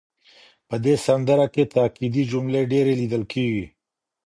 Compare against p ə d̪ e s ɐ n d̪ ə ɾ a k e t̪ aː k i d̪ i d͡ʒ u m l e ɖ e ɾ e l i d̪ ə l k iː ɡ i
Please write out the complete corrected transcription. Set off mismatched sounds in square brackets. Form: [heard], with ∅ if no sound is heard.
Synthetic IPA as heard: p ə d̪ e s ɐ n d̪ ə ɾ a k e t̪ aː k i d̪ i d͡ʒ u m l e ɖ e ɾ e l i d̪ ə l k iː ɡ i